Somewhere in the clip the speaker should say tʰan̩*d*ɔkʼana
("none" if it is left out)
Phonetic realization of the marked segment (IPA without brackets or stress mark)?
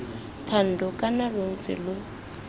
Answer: d